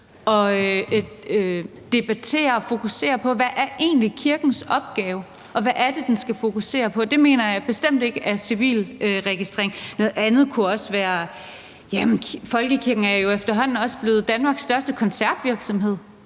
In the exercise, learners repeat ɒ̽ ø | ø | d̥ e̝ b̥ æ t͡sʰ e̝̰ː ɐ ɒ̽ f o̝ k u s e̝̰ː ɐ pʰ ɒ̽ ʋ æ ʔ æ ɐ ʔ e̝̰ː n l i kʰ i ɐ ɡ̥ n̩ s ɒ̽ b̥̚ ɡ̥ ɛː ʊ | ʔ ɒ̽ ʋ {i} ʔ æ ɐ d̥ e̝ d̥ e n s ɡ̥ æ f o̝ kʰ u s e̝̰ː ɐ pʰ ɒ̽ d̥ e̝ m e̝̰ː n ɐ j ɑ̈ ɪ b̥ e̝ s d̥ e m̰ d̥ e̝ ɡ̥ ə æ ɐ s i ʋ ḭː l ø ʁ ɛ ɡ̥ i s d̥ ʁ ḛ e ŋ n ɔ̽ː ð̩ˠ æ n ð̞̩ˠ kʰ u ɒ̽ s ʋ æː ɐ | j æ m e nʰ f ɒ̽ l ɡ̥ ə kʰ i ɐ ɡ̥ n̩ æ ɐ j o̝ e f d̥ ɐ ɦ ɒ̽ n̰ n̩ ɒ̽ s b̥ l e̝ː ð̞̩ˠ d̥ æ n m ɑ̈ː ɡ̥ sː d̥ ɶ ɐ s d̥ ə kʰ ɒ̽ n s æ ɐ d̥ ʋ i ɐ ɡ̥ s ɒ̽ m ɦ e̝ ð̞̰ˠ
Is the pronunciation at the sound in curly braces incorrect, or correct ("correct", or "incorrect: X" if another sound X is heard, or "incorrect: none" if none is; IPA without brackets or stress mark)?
incorrect: æ